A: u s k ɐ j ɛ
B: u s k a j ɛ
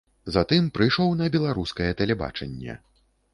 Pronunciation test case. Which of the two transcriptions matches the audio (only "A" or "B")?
A